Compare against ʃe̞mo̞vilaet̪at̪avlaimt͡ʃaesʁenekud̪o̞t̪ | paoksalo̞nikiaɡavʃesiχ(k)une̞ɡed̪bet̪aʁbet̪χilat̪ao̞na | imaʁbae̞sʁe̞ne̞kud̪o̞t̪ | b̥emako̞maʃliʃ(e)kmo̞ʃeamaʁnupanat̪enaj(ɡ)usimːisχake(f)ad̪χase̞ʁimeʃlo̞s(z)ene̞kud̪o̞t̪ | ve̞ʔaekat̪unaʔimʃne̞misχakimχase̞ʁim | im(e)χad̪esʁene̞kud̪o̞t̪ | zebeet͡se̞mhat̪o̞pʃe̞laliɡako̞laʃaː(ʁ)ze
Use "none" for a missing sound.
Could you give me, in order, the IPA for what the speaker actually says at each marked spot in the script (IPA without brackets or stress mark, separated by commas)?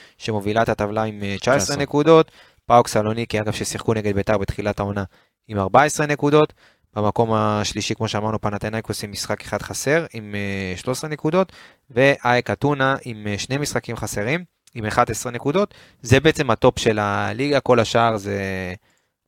k, i, k, χ, ʁ, e, ʁ